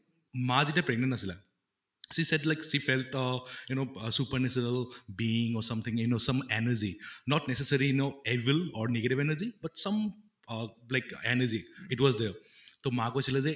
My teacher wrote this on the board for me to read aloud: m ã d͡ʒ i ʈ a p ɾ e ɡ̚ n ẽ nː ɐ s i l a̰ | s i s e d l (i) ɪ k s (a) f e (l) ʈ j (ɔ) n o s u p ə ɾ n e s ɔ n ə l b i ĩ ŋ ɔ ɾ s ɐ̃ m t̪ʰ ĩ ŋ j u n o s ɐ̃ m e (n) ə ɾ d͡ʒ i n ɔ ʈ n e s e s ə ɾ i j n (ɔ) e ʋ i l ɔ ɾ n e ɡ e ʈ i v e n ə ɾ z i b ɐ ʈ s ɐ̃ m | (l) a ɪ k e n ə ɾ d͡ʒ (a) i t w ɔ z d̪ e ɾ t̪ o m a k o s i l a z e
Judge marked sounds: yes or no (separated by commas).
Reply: no, no, yes, no, yes, no, yes, no